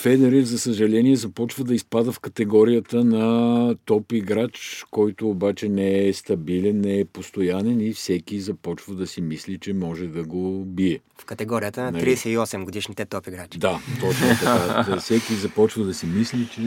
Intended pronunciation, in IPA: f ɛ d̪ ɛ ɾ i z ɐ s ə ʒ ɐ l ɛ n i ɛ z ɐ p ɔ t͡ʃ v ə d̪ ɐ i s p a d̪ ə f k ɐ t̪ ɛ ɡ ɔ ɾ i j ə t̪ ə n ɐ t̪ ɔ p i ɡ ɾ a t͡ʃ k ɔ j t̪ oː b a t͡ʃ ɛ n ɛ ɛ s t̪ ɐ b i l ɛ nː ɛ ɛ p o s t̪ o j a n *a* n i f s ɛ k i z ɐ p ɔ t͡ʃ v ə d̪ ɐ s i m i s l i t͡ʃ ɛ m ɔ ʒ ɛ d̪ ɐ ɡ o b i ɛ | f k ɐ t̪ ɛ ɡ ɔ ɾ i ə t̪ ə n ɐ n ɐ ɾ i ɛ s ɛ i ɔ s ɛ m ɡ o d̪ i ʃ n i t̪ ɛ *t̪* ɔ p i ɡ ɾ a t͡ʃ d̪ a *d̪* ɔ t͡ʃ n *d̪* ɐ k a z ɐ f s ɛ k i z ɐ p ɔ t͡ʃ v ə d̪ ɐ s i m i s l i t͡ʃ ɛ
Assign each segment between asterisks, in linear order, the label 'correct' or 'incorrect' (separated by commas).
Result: incorrect, correct, incorrect, incorrect